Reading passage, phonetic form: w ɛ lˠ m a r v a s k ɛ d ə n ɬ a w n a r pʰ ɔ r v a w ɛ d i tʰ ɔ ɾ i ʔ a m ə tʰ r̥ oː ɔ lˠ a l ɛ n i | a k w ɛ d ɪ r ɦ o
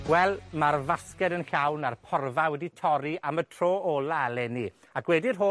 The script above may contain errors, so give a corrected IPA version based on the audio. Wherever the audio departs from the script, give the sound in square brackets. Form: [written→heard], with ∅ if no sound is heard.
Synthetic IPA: w ɛ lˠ m a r v a s k ɛ d ə n ɬ a w n a r pʰ ɔ r v a w ɛ d i tʰ ɔ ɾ i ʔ a m ə tʰ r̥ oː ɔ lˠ a l ɛ n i | a k w ɛ d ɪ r ɦ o

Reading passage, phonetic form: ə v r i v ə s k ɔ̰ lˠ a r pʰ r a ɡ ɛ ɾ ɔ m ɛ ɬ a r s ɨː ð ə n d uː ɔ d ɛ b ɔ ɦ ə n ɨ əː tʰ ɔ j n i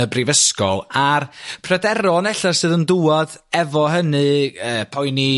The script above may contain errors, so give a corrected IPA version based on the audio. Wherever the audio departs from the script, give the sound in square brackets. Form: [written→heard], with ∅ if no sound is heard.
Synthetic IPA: ə [v→b] r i v ə s k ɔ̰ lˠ a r pʰ r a [ɡ→d] ɛ ɾ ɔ [m→n] ɛ ɬ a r s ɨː ð ə n d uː ɔ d ɛ [b→v] ɔ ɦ ə n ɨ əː [tʰ→pʰ] ɔ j n i

